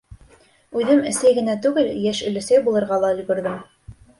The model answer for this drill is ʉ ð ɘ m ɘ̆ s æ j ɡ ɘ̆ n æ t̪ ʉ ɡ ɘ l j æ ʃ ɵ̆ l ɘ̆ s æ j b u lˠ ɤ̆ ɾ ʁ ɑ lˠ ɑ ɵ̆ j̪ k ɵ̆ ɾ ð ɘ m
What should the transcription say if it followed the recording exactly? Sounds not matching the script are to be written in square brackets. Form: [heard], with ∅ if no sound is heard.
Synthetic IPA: ʉ ð ɘ m ɘ̆ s æ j ɡ ɘ̆ n æ t̪ ʉ ɡ ɘ l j æ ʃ ɵ̆ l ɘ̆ s æ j b u lˠ ɤ̆ ɾ ʁ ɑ lˠ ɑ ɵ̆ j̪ [ɡ] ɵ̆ ɾ ð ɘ m